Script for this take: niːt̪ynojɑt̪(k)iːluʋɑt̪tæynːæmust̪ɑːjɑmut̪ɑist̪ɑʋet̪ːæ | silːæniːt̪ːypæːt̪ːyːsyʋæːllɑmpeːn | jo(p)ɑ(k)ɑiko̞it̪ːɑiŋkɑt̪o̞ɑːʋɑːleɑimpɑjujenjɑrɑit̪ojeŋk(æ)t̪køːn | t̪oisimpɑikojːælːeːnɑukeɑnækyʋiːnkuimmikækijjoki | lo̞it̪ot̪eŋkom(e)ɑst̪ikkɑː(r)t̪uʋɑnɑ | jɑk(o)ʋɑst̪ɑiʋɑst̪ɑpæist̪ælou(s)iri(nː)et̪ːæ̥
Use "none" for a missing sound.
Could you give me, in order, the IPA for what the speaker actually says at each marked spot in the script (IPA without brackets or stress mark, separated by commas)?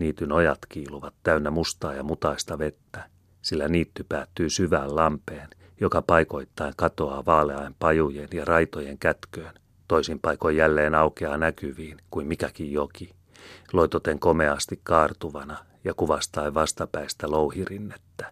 k, k, p, æ, e, r, u, h, nː